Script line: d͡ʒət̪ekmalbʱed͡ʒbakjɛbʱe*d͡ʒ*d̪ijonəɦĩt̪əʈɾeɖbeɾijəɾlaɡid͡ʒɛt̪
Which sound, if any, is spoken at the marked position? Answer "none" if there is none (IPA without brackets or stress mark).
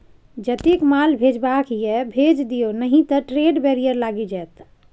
d͡ʒ